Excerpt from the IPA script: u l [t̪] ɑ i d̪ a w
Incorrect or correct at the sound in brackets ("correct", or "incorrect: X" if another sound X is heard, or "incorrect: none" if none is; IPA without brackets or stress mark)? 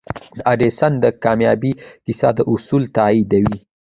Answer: correct